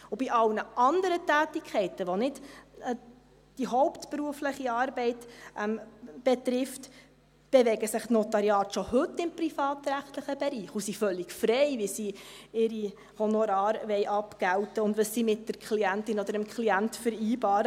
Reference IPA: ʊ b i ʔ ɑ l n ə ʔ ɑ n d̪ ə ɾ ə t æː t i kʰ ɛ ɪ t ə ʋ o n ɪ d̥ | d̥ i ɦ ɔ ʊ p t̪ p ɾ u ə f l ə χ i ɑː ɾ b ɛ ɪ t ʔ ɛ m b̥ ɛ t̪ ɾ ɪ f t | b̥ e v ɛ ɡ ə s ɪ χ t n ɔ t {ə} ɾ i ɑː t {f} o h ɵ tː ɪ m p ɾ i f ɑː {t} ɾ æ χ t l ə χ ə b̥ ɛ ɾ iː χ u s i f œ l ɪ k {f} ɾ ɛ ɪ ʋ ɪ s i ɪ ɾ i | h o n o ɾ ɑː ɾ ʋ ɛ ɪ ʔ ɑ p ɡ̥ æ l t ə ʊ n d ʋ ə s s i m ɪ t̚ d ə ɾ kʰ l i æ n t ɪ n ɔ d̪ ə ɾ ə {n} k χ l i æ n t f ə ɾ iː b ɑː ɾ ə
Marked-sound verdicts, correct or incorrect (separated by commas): incorrect, incorrect, correct, correct, incorrect